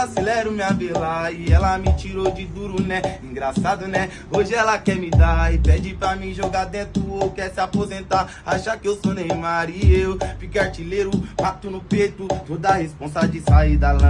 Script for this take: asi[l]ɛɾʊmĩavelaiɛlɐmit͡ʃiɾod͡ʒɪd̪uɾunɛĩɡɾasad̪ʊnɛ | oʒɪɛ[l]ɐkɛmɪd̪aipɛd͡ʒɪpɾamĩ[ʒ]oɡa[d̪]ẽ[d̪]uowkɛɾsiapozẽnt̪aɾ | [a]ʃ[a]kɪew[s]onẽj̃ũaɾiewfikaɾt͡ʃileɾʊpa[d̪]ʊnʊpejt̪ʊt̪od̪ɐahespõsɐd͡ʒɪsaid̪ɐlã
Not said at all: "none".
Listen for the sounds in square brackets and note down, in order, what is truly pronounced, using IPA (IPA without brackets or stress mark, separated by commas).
l, l, ʒ, d̪, t̪, a, a, s, t̪